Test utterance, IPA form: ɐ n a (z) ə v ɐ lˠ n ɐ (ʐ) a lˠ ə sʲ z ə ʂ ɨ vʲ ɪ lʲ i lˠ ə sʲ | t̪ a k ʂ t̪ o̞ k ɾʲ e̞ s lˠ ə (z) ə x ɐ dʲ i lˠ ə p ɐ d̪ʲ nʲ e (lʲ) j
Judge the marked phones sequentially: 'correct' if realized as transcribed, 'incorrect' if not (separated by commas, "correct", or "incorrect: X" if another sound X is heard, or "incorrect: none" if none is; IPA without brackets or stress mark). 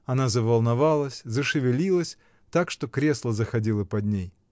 correct, incorrect: v, correct, incorrect: none